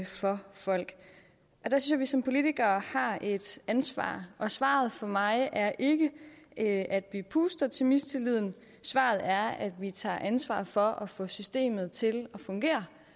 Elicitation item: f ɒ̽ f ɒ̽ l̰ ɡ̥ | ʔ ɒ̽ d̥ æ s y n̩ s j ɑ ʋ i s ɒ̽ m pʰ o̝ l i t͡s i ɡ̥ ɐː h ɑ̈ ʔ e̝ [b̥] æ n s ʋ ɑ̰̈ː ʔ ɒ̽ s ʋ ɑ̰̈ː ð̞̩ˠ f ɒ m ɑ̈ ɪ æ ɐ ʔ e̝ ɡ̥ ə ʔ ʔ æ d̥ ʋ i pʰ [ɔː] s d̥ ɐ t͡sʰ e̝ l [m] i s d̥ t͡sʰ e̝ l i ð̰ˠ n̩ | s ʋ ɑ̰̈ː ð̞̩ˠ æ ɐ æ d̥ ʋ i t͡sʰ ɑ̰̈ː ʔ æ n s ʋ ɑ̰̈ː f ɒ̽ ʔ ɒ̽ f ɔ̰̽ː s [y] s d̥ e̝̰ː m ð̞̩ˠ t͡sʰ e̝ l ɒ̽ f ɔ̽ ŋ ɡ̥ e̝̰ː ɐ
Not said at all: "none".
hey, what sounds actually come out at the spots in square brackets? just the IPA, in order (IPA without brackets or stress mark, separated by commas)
d̥, uː, m, y